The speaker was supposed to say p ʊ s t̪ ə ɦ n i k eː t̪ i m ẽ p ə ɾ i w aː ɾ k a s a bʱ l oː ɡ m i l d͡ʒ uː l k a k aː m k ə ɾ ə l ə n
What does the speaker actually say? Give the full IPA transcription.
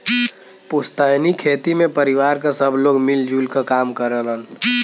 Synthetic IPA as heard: p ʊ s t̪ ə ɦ n i kʰ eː t̪ i m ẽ p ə ɾ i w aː ɾ k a s ə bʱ l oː ɡ m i l d͡ʒ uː l k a k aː m k ə ɾ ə l ə n

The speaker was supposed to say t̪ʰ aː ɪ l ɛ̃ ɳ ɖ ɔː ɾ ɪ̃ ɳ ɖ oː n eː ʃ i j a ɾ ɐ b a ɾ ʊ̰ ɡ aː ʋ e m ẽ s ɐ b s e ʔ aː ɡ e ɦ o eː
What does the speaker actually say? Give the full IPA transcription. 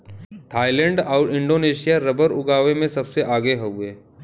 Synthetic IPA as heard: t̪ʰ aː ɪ l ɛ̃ ɳ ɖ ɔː ɾ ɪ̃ ɳ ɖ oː n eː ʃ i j a ɾ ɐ b ə ɾ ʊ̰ ɡ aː ʋ e m ẽ s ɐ b s e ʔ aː ɡ e ɦ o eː

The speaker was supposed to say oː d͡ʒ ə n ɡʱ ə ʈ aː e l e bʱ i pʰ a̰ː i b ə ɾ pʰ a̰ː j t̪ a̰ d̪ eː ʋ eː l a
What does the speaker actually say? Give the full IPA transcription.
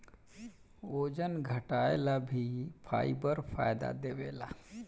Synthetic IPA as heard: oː d͡ʒ ə n ɡʱ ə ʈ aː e l a bʱ i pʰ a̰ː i b ə ɾ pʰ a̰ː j d̪ a̰ d̪ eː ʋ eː l a

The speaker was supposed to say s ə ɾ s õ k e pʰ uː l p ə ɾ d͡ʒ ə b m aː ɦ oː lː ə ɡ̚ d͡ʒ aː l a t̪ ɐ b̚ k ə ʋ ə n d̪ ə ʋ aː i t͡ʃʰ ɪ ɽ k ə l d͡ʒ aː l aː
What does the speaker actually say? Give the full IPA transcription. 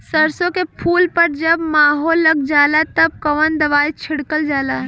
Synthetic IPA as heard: s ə ɾ s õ k e pʰ uː l p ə ɾ d͡ʒ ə b m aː ɦ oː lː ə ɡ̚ d͡ʒ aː l a t̪ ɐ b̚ k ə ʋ ə n d̪ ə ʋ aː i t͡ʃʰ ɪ ɽ k ə l d͡ʒ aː l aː

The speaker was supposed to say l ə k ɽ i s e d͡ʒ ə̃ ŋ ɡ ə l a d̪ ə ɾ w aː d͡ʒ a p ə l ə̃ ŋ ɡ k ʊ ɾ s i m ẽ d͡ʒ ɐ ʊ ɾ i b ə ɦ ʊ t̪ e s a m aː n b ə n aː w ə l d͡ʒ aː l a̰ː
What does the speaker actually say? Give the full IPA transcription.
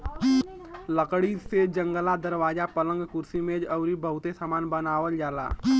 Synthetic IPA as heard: l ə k ɽ i s e d͡ʒ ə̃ ŋ ɡ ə l a d̪ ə ɾ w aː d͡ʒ a p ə l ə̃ ŋ ɡ k ʊ ɾ s i m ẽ d͡ʒ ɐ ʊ ɾ i b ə ɦ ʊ t̪ e s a m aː n b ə n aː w ə l d͡ʒ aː l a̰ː

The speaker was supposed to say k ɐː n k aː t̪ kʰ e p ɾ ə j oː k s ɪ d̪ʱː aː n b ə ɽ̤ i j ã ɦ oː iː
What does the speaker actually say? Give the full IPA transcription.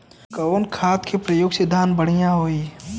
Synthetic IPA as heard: k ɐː n kʰ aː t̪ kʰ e p ɾ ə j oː ɡ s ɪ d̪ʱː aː n b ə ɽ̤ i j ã ɦ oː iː

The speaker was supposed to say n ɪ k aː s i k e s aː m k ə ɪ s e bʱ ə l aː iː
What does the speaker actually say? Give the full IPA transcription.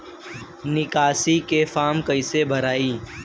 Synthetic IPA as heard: n ɪ k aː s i k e f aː m k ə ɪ s e bʱ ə ɾ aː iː

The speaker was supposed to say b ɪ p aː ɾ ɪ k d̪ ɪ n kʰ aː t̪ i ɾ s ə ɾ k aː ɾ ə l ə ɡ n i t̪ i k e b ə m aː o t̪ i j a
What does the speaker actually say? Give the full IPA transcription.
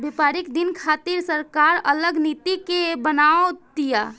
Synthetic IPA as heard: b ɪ p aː ɾ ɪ k d̪ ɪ n kʰ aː t̪ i ɾ s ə ɾ k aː ɾ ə l ə ɡ n i t̪ i k e b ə n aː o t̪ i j a

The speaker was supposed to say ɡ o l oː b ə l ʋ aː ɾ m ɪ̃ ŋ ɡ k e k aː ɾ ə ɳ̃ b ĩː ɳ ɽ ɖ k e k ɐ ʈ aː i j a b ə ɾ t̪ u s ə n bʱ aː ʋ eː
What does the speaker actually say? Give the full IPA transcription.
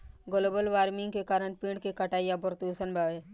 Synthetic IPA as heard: ɡ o l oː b ə l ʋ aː ɾ m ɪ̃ ŋ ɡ k e k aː ɾ ə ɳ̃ p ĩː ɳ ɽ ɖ k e k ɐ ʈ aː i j a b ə ɾ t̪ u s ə n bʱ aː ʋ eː

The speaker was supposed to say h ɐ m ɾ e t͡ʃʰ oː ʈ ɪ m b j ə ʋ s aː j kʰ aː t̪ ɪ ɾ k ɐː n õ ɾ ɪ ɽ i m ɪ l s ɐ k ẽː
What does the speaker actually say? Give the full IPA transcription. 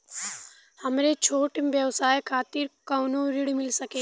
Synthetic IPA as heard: h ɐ m ɾ e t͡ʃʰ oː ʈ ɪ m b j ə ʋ s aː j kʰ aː t̪ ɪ ɾ k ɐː n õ ɾ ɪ ɽ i m ɪ l s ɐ k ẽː

